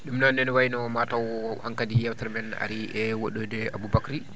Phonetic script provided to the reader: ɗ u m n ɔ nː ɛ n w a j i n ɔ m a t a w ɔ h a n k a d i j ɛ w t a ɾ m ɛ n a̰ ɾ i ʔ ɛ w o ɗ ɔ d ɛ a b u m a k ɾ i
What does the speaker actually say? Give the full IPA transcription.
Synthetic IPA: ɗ u m n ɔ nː ɛ n w a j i n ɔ m a t a w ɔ h a ŋ k a d i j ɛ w t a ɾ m ɛ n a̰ ɾ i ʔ ɛ w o ɗ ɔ d ɛ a b u b a k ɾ i